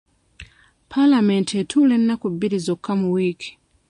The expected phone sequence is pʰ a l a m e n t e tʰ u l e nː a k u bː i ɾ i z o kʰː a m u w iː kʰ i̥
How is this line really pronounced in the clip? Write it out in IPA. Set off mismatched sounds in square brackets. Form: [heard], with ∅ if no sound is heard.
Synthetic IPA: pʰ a l a m e n t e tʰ u l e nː a k u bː i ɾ i z o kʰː a m u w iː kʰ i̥